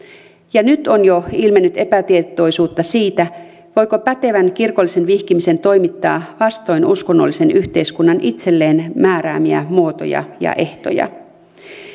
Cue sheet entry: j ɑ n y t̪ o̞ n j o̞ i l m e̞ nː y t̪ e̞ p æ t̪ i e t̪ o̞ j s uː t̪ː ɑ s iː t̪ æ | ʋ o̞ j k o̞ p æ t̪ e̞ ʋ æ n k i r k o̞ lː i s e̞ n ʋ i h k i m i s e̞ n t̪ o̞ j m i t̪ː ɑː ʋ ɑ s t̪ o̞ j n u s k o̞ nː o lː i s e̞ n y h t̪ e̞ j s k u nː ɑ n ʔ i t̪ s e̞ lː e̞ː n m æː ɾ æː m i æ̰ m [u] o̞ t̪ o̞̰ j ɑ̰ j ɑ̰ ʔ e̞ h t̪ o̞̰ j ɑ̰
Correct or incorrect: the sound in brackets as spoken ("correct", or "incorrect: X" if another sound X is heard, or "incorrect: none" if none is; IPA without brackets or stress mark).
correct